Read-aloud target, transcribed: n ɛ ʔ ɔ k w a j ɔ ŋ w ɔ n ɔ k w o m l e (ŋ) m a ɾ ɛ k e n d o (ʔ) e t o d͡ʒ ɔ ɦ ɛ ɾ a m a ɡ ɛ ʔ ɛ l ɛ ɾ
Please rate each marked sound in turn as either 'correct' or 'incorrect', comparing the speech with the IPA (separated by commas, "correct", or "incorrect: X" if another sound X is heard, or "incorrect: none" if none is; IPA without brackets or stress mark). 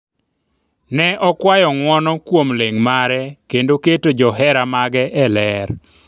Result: correct, incorrect: k